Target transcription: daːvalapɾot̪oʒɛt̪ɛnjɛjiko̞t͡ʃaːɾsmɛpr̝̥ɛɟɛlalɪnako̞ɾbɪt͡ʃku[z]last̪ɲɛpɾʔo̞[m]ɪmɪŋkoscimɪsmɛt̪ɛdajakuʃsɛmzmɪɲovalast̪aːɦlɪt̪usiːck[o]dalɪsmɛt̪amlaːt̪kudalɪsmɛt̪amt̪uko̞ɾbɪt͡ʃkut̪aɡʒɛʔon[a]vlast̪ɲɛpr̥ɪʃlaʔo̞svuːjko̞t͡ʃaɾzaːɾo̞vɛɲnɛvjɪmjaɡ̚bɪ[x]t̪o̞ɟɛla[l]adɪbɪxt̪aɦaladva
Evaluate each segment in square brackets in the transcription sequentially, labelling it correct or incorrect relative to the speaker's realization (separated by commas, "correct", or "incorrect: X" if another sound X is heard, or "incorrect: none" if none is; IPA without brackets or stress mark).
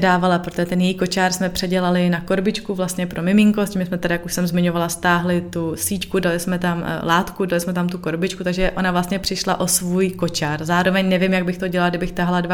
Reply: incorrect: v, correct, incorrect: u, correct, correct, correct